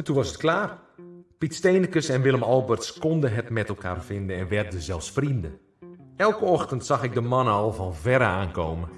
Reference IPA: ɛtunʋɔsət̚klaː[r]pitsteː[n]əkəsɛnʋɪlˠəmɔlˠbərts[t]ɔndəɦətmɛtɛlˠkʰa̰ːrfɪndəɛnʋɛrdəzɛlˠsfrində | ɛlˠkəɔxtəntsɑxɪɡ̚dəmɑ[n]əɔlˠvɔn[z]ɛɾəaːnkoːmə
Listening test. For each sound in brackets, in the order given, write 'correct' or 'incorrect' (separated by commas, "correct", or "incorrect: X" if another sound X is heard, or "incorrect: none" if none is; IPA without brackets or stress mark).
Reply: correct, correct, incorrect: k, correct, incorrect: v